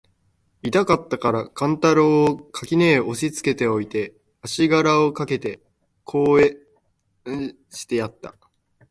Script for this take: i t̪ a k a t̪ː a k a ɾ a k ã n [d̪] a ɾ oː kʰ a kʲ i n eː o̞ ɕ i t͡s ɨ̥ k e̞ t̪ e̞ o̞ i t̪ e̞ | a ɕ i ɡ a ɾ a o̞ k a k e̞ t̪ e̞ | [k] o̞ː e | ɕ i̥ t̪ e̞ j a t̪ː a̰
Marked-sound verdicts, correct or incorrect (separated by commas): incorrect, incorrect